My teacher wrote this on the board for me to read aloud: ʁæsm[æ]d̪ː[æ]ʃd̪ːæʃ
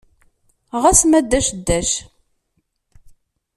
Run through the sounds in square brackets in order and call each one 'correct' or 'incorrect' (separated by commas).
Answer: correct, correct